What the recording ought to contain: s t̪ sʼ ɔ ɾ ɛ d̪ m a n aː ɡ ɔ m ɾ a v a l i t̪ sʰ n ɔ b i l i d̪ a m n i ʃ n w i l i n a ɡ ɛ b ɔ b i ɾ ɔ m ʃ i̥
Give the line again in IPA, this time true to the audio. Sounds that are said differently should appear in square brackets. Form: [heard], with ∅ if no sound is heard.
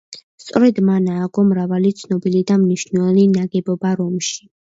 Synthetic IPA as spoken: s t̪ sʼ ɔ ɾ ɛ d̪ m a n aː ɡ ɔ m ɾ a v a l i t̪ sʰ n ɔ b i l i d̪ a m n i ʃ n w [ɛ] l i n a ɡ ɛ b ɔ b [a] ɾ ɔ m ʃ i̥